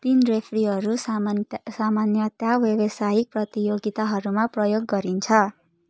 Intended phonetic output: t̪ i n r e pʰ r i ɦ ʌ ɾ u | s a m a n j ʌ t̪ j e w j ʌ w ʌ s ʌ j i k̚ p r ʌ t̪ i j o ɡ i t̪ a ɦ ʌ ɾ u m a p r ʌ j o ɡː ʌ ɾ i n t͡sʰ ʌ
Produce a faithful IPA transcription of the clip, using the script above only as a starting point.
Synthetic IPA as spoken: t̪ i n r e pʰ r i ɦ ʌ ɾ u | s a m a n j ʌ t̪ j a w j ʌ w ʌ s a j i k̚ p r ʌ t̪ i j o ɡ i t̪ a ɦ ʌ ɾ u m a p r ʌ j o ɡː ʌ ɾ i n t͡sʰ ʌ